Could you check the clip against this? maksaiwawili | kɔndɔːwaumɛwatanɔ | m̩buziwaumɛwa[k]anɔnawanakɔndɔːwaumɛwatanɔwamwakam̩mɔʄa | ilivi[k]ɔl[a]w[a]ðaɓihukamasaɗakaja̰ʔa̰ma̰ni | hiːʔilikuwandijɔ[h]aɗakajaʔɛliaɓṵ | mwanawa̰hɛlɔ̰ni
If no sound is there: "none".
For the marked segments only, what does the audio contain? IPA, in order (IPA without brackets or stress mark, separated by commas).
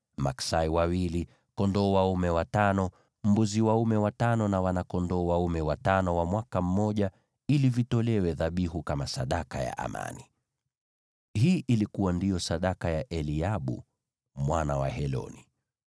t, t, ɛ, ɛ, s